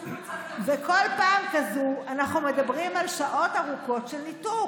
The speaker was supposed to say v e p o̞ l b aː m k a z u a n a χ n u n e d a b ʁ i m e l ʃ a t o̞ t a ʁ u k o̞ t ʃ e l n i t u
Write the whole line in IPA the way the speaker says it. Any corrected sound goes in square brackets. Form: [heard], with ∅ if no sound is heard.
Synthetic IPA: v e [k] o̞ l [p] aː m k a z u a n a χ n u [m] e d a b ʁ i m [a] l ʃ a [ʔ] o̞ t a ʁ u k o̞ t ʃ e l n i t u